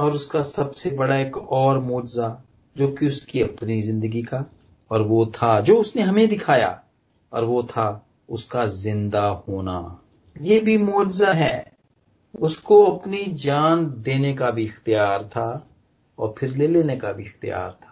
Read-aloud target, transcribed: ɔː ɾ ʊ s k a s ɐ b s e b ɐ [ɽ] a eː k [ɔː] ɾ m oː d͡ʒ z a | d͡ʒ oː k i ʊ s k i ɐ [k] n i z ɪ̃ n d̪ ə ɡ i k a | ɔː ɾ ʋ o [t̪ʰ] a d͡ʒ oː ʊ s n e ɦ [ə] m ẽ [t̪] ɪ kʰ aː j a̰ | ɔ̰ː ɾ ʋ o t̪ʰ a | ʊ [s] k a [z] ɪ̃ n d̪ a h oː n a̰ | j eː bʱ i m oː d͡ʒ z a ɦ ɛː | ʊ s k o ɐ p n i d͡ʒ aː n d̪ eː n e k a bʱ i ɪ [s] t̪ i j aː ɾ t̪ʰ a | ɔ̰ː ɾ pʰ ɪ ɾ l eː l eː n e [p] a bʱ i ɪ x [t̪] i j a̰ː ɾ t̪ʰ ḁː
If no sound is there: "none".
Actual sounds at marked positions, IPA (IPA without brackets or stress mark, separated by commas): ɽ, ɔː, p, t̪ʰ, ɐ, d̪, s, z, x, k, t̪